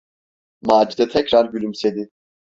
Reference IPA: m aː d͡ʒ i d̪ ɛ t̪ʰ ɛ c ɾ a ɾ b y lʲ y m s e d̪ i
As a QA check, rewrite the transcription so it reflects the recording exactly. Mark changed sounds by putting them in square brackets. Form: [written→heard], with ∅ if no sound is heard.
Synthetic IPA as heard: m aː d͡ʒ i d̪ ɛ t̪ʰ ɛ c ɾ a ɾ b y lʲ y m s e d̪ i